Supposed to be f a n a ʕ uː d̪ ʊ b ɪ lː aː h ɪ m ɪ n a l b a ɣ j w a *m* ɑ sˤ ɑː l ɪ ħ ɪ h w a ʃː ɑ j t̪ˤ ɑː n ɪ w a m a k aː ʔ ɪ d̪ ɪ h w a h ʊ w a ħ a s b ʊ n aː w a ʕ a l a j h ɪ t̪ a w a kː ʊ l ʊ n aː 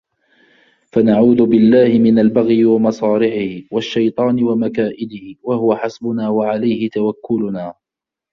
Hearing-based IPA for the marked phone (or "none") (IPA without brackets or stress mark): m